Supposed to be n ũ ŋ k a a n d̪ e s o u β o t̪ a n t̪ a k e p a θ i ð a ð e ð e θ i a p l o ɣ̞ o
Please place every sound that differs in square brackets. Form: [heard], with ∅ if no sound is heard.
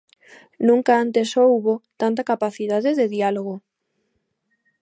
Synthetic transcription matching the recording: n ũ ŋ k a a n [t̪] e s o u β o t̪ a n t̪ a k [a] p a θ i ð a ð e ð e [ð] i a [∅] l o ɣ̞ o